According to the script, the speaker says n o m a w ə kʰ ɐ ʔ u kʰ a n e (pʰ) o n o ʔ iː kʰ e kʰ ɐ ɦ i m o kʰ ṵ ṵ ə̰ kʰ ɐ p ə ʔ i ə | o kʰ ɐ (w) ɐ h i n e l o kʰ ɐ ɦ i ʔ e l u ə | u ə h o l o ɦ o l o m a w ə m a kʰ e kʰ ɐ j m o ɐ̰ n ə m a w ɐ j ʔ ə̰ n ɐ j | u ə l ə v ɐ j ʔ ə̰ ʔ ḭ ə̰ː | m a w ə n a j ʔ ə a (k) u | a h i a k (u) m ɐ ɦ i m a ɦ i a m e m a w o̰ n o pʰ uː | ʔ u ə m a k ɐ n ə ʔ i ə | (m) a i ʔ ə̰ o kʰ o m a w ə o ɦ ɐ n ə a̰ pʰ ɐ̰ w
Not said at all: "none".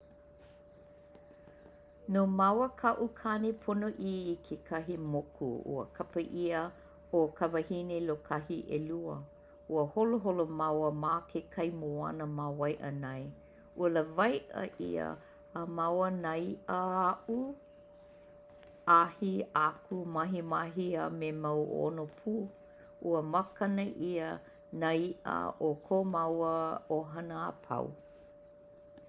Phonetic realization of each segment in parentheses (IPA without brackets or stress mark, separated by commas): pʰ, v, ʔ, u, n